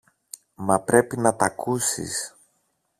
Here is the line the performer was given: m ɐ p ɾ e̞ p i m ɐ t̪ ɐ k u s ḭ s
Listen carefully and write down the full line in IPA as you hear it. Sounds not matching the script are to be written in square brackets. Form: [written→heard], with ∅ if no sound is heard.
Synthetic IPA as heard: m ɐ p ɾ e̞ p i [m→n] ɐ t̪ ɐ k u s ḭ s